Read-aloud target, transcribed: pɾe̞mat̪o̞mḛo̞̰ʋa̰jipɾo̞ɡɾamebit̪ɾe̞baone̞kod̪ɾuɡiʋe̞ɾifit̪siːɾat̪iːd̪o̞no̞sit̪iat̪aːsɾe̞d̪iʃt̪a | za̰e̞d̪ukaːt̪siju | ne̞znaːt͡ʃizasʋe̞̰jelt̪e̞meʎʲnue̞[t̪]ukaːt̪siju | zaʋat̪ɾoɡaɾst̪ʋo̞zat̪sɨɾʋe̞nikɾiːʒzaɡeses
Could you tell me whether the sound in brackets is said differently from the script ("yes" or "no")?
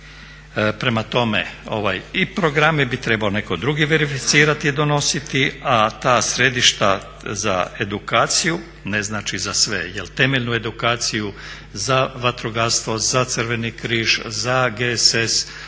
yes